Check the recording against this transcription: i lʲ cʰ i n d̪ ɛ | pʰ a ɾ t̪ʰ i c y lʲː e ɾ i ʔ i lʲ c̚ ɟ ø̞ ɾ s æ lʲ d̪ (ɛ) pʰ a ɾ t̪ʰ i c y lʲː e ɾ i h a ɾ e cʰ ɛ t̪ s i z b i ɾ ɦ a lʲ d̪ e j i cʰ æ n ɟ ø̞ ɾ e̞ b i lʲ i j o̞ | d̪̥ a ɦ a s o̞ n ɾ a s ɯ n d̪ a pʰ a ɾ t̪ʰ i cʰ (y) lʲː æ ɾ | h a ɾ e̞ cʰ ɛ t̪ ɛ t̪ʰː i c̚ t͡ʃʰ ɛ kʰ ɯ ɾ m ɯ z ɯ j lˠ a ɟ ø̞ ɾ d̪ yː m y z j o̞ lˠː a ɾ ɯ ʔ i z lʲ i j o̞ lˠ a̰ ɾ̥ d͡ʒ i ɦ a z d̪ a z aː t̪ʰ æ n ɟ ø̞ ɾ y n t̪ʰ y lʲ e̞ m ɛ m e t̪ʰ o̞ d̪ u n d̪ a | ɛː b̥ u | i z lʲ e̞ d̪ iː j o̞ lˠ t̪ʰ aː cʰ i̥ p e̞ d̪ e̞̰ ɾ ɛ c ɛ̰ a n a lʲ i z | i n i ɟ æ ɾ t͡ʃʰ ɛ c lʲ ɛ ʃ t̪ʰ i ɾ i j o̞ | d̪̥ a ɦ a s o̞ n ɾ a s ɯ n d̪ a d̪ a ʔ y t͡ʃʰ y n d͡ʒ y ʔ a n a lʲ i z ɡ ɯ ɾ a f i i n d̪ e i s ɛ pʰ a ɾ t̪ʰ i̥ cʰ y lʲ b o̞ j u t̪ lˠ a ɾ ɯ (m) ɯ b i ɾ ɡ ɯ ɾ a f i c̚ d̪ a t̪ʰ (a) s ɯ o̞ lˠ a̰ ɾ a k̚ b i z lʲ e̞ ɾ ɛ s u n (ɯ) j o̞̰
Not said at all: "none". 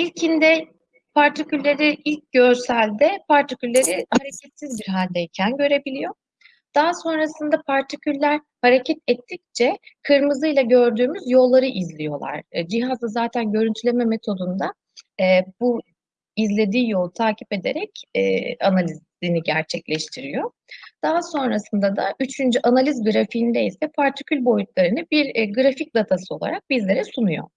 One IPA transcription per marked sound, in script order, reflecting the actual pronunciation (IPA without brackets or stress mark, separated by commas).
ɛ, y, n, a, u